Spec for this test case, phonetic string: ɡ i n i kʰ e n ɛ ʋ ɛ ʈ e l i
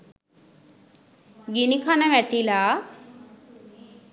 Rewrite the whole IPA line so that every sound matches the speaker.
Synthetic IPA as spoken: ɡ i n i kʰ a n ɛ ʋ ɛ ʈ i l a